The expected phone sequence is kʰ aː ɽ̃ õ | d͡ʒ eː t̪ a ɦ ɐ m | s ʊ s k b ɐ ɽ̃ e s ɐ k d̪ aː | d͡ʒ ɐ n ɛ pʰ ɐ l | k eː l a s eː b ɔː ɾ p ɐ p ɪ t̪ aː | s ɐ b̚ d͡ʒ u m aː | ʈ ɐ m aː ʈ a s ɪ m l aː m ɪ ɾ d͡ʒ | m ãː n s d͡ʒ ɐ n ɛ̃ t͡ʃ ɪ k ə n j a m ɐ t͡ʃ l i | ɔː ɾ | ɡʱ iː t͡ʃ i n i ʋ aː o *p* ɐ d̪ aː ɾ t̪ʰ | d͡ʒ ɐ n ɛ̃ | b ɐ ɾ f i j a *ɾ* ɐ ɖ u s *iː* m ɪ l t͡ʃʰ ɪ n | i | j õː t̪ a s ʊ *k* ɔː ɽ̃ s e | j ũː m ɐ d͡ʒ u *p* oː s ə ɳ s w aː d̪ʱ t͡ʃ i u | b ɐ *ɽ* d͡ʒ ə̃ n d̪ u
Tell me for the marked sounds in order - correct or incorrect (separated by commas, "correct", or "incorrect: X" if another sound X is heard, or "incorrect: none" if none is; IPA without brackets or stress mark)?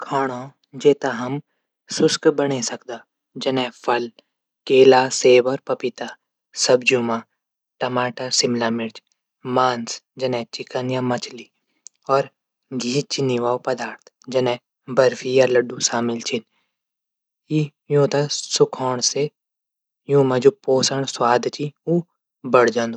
correct, incorrect: l, incorrect: aː, incorrect: kʰ, correct, correct